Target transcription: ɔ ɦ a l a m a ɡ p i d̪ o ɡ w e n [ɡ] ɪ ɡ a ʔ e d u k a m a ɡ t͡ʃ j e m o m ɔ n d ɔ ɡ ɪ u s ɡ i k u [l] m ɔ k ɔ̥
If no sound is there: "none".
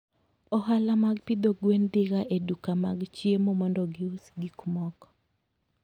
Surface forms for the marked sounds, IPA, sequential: d, none

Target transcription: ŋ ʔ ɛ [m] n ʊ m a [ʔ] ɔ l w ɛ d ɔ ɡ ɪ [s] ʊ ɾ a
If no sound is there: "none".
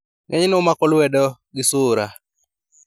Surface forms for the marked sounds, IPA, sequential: ɲ, k, s

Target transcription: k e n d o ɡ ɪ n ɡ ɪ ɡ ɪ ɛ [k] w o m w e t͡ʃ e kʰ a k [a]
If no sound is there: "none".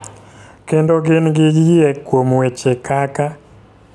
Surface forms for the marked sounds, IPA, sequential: k, a

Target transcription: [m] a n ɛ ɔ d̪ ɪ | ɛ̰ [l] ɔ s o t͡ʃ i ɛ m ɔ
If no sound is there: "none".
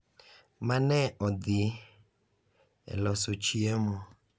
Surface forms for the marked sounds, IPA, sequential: m, l

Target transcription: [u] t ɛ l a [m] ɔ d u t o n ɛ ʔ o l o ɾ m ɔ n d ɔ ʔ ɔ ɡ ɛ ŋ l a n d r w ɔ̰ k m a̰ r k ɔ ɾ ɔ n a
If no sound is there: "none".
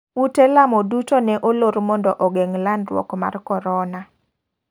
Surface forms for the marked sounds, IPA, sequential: u, m

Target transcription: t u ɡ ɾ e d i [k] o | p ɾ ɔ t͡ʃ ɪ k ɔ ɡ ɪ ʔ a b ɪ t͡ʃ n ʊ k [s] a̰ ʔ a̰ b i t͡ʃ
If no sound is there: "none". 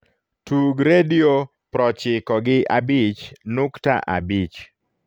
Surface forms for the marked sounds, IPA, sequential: none, t

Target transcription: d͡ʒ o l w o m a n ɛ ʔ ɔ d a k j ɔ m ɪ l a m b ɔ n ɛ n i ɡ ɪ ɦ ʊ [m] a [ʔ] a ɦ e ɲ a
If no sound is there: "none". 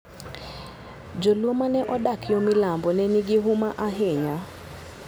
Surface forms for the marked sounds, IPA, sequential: m, ʔ

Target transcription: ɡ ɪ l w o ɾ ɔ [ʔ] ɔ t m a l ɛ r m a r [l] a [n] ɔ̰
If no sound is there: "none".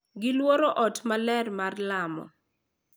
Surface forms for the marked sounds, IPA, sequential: ʔ, l, m

